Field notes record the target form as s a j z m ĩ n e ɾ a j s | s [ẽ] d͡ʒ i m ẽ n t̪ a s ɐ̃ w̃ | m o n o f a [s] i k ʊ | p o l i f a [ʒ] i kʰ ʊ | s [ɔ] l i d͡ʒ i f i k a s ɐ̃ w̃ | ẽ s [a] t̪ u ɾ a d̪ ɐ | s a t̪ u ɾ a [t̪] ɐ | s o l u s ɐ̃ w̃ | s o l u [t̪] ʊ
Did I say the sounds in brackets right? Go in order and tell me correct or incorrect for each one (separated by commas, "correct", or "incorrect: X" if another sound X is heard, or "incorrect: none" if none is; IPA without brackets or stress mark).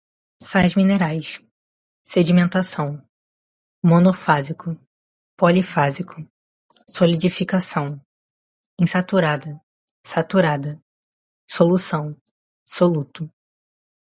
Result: incorrect: e, incorrect: z, incorrect: z, incorrect: o, correct, incorrect: d̪, correct